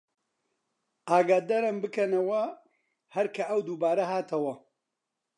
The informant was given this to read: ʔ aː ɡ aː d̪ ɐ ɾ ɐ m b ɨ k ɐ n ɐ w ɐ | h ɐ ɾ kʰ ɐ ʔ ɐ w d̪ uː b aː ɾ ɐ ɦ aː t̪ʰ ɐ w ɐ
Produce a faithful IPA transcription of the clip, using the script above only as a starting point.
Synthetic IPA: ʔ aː ɡ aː d̪ ɐ ɾ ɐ m b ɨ k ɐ n ɐ w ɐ | h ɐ ɾ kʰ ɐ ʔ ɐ w d̪ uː b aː ɾ ɐ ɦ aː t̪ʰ ɐ w ɐ